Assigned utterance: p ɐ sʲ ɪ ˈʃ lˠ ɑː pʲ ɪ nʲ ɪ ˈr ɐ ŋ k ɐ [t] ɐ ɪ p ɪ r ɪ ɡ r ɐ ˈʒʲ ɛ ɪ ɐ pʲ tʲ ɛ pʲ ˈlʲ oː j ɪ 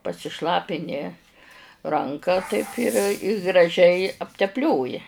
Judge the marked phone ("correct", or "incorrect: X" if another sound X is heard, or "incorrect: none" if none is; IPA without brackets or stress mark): correct